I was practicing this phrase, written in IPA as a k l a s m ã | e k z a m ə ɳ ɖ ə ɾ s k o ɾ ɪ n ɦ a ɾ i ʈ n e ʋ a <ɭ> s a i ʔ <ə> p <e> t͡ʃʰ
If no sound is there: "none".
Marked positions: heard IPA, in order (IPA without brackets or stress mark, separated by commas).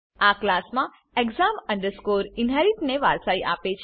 ɾ, a, e